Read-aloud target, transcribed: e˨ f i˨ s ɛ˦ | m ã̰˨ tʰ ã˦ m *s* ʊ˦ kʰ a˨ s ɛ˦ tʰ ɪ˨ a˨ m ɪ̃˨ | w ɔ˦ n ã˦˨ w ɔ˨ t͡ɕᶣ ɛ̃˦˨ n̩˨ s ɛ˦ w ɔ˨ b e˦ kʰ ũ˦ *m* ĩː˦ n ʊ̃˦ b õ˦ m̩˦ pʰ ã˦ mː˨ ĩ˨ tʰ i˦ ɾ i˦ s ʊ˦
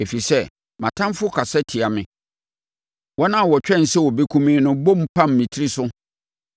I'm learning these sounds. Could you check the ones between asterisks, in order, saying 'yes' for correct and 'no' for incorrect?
no, yes

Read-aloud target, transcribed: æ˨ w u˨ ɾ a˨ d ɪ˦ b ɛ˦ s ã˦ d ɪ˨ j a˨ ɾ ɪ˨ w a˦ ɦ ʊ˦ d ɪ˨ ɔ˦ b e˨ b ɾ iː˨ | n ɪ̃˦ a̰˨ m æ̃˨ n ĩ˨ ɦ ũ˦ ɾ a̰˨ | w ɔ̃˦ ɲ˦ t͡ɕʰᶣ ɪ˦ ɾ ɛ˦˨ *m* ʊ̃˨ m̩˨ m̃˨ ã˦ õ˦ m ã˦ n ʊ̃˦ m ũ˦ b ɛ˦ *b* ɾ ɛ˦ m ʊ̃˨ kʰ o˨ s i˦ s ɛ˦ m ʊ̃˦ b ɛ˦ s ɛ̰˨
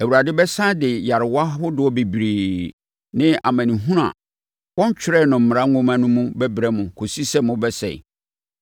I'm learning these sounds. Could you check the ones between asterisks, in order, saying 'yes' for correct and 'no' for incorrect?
no, yes

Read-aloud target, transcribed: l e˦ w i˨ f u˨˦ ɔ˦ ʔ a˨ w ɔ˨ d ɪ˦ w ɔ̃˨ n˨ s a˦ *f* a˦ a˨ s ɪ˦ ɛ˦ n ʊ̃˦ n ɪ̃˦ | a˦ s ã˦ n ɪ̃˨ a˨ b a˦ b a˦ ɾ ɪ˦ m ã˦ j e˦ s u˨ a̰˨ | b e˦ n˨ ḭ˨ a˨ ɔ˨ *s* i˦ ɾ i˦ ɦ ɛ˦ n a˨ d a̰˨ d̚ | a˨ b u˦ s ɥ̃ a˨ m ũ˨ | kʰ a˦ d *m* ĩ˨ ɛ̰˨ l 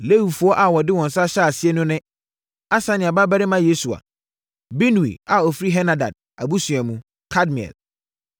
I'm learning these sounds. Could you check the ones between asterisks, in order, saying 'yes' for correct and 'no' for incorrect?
no, no, yes

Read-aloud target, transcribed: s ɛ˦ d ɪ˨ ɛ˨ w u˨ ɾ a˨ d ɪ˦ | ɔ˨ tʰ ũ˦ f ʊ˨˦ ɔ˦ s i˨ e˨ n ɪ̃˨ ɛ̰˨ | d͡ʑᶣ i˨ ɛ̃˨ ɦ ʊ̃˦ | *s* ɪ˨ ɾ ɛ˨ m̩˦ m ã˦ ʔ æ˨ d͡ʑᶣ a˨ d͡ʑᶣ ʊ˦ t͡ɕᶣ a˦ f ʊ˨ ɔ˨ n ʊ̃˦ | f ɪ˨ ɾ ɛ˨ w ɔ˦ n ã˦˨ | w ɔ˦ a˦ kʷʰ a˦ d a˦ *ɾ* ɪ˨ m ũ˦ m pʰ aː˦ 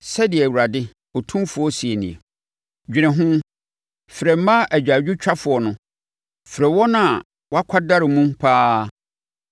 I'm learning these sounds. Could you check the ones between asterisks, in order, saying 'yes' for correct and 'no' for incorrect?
no, yes

